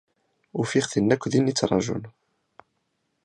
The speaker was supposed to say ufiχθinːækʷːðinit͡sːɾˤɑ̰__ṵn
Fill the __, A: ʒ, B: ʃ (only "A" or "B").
A